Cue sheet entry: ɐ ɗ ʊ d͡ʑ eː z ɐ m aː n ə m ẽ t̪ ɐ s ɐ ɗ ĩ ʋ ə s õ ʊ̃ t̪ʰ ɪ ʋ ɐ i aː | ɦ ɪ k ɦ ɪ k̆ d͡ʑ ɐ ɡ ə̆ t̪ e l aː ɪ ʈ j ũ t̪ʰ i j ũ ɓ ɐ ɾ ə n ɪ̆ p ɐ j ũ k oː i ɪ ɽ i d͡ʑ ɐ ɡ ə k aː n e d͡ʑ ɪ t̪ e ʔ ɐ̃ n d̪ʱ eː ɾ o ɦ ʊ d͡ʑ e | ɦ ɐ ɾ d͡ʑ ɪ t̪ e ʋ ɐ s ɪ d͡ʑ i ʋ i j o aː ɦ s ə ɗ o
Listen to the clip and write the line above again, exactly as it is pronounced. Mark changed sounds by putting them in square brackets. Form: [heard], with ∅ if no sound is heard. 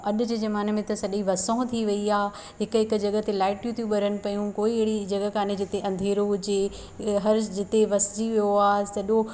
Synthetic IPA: ɐ ɗ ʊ d͡ʑ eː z ɐ m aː n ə m ẽ t̪ ɐ s ɐ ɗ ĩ ʋ [ɐ] s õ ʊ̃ t̪ʰ [i] ʋ ɐ i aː | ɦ ɪ k ɦ ɪ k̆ d͡ʑ ɐ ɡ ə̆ t̪ e l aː ɪ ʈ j ũ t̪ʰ i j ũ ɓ ɐ ɾ ə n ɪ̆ p ɐ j ũ k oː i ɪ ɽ i d͡ʑ ɐ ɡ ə k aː n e d͡ʑ ɪ t̪ e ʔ ɐ̃ n d̪ʱ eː ɾ o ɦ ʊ d͡ʑ e | ɦ ɐ ɾ d͡ʑ ɪ t̪ e ʋ ɐ s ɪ d͡ʑ i ʋ i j o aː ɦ s [ɐ] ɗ o